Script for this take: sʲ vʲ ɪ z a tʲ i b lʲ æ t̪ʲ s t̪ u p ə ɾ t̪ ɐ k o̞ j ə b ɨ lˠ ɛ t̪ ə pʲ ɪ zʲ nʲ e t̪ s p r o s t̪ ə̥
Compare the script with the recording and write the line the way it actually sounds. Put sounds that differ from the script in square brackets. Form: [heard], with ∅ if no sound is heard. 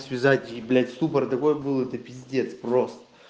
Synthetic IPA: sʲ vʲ ɪ z a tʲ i b lʲ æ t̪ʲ s t̪ u p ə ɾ t̪ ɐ k o̞ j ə b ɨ lˠ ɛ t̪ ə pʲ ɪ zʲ [dʲ] e t̪ s p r o s t̪ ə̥